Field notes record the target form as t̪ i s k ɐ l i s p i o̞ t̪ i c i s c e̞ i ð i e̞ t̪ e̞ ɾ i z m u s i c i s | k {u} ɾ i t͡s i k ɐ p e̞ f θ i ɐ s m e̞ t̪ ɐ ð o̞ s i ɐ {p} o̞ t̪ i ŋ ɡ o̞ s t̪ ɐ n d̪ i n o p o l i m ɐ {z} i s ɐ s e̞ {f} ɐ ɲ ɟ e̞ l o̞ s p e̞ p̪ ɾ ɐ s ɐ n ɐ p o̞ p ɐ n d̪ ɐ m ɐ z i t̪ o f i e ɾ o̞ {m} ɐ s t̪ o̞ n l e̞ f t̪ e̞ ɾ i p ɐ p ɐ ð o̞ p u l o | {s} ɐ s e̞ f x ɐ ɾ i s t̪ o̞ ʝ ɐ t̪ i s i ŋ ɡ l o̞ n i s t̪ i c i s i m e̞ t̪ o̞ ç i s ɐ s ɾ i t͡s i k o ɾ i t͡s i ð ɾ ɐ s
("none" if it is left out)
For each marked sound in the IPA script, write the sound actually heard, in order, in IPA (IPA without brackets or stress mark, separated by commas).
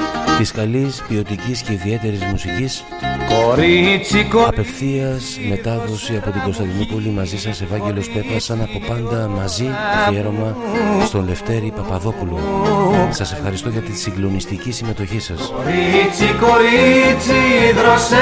o, p, z, v, m, s